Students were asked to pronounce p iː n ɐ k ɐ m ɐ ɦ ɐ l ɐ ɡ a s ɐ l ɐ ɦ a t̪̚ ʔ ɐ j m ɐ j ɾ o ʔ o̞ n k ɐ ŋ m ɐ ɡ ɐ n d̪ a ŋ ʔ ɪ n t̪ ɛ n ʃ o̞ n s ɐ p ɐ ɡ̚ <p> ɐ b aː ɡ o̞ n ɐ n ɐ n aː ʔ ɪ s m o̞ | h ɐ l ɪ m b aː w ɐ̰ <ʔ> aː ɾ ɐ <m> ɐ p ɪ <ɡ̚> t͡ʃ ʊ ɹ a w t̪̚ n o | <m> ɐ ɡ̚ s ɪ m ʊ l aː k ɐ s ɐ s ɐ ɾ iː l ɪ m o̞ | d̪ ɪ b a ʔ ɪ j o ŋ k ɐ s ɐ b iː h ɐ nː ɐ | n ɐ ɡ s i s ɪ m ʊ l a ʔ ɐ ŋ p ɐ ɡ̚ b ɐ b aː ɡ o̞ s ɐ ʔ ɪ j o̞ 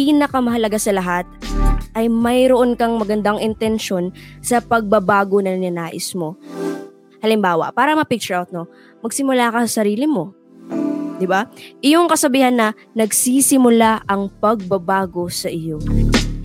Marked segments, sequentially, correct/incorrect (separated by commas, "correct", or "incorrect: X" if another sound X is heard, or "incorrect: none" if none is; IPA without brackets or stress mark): incorrect: b, incorrect: p, correct, incorrect: k̚, correct